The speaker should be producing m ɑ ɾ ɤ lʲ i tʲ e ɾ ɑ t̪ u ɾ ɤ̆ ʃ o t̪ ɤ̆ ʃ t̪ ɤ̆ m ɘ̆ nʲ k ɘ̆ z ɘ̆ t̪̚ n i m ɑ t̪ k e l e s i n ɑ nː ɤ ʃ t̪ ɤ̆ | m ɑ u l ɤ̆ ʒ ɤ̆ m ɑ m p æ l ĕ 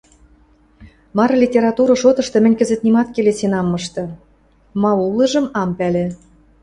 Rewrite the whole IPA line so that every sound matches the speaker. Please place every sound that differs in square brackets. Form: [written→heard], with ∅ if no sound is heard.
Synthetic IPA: m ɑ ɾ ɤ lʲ i tʲ e ɾ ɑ t̪ u ɾ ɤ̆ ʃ o t̪ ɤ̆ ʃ t̪ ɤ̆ m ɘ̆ nʲ k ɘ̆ z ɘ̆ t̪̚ n i m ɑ t̪ k e l e s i n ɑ [nː→mː] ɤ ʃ t̪ ɤ̆ | m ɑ u l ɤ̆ ʒ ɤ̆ m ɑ m p æ l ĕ